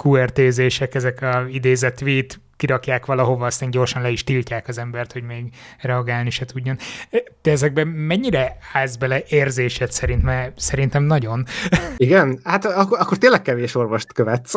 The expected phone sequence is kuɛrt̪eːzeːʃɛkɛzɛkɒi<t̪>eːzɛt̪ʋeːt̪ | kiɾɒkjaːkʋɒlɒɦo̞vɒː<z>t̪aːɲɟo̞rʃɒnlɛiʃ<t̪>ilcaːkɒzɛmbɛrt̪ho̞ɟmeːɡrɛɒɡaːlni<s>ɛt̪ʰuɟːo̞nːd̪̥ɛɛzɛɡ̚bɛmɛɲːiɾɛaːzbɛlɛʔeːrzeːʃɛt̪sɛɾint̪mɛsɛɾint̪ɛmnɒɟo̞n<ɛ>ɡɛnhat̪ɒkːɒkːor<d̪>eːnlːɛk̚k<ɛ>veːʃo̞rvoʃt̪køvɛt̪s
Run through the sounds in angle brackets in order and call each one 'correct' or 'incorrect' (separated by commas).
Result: incorrect, incorrect, correct, incorrect, incorrect, incorrect, correct